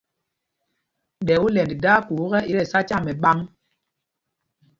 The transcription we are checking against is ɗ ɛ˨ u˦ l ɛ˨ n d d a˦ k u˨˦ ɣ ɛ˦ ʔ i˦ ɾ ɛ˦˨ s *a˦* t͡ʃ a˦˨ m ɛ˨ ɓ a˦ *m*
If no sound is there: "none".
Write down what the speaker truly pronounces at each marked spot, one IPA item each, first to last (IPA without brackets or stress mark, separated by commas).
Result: a˦, ŋ